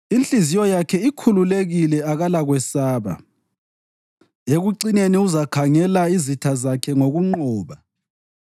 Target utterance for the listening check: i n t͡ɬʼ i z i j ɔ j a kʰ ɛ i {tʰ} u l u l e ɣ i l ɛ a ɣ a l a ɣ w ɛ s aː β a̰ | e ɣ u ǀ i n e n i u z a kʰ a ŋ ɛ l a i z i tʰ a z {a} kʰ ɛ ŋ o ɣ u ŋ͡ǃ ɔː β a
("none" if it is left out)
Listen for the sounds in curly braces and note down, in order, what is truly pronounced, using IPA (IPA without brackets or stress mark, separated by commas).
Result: kʰ, a